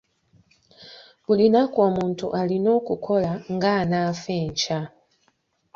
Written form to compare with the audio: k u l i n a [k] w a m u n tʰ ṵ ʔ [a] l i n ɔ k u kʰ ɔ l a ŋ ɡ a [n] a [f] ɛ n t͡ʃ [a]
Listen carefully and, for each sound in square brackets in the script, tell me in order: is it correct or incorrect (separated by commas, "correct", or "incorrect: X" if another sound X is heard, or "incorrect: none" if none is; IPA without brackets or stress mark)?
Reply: correct, correct, correct, correct, correct